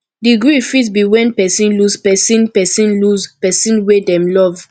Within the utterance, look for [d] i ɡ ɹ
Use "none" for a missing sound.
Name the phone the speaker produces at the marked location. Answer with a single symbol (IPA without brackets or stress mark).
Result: d